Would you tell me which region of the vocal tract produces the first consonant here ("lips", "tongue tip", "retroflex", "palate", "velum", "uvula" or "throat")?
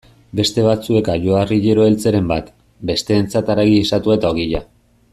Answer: lips